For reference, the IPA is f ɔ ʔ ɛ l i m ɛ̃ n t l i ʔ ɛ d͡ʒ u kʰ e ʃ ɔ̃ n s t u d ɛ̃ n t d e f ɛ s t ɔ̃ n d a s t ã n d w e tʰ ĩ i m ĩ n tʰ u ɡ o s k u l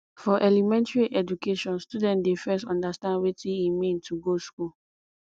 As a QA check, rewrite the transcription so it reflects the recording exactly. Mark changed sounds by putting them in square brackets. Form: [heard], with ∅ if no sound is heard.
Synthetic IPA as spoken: f ɔ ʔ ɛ l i m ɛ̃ n t [ɹ] i ʔ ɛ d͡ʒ u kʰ e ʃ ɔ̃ n s t u d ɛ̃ n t d e f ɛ s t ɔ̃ n d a s t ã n d w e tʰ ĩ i m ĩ n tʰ u ɡ o s k u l